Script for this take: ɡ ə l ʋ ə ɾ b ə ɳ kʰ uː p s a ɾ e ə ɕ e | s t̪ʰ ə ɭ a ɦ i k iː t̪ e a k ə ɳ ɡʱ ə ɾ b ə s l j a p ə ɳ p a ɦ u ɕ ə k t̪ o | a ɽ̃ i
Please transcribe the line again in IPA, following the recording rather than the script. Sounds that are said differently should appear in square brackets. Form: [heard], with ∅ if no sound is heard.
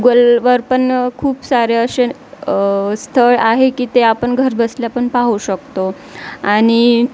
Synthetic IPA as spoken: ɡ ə l ʋ ə ɾ [p] ə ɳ kʰ uː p s a ɾ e ə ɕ e | s t̪ʰ ə ɭ a ɦ [e] k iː t̪ e a [p] ə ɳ ɡʱ ə ɾ b ə s l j a p ə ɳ p a ɦ u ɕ ə k t̪ o | a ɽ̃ i